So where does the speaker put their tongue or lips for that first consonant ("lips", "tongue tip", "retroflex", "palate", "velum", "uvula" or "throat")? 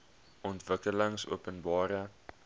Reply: tongue tip